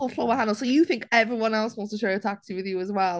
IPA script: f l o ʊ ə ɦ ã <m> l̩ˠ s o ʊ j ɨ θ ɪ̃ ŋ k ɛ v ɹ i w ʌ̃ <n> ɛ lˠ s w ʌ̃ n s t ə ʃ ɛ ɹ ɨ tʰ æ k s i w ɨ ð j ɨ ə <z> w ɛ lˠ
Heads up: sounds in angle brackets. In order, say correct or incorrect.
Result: incorrect, correct, correct

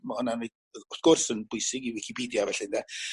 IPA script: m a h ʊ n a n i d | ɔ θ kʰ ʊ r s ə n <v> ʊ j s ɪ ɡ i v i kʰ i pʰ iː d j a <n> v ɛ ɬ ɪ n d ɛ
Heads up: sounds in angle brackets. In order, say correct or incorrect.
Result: incorrect, incorrect

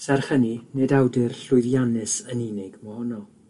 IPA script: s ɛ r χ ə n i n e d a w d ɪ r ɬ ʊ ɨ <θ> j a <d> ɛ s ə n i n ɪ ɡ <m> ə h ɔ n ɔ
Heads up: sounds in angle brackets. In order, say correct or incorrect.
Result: incorrect, incorrect, correct

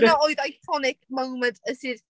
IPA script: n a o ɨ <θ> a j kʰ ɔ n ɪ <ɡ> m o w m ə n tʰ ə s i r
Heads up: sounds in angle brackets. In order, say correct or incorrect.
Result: incorrect, incorrect

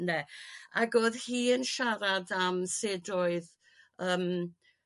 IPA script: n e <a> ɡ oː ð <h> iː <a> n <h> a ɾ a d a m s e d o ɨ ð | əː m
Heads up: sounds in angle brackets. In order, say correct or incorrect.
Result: correct, correct, incorrect, incorrect

